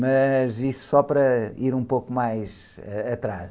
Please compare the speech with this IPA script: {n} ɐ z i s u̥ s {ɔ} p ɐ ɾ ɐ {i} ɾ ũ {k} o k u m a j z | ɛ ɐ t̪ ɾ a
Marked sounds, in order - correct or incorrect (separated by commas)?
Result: incorrect, correct, correct, incorrect